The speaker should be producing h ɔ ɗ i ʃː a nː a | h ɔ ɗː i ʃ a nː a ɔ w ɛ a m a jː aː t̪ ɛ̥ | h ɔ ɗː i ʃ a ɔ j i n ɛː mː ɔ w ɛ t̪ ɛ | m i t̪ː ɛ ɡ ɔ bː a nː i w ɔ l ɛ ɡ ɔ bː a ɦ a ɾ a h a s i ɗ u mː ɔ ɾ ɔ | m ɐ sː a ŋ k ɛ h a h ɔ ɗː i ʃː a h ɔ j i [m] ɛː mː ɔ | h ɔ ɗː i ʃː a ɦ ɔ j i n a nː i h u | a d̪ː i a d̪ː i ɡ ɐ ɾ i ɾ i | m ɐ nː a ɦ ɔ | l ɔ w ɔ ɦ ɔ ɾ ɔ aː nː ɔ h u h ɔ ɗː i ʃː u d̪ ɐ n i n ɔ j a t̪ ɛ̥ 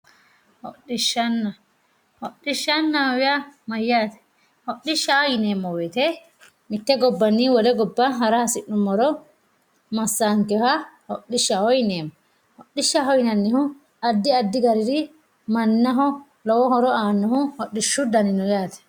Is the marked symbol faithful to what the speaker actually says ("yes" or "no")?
no